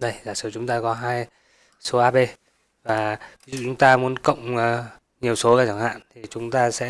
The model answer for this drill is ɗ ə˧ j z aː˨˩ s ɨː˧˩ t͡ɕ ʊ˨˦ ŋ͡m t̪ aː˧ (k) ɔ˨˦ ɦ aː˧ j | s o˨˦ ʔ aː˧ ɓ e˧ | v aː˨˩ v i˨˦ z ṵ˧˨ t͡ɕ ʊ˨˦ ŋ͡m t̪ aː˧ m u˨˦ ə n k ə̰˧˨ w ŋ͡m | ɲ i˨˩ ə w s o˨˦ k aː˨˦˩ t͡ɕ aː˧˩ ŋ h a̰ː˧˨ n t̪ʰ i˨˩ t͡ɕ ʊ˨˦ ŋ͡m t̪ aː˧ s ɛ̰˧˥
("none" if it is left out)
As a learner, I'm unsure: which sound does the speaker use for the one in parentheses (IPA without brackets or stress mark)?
k